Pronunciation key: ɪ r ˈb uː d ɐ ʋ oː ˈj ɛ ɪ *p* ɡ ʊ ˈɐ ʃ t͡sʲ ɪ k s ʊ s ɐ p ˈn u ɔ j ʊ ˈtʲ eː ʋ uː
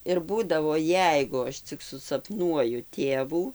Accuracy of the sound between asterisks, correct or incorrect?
incorrect: none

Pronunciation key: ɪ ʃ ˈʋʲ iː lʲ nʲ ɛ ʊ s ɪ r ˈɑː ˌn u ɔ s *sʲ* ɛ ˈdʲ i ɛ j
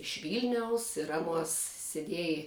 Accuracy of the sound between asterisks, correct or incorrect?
correct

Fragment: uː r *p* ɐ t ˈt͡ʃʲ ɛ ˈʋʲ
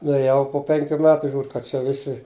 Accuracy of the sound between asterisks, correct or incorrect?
incorrect: k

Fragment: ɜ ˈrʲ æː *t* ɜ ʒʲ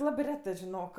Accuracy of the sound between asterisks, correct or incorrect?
correct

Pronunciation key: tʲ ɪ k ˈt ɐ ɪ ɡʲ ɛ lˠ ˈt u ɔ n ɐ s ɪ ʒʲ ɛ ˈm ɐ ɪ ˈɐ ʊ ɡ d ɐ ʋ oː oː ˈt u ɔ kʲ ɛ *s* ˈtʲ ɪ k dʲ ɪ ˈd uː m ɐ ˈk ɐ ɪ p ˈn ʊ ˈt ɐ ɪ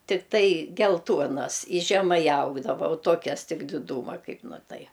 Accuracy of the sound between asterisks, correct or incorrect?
correct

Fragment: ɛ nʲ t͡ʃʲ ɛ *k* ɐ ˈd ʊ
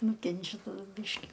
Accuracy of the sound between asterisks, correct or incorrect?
incorrect: t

